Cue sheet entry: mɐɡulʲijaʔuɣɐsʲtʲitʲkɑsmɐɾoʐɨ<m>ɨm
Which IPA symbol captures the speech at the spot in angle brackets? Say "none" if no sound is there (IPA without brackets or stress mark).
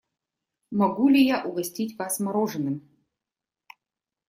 n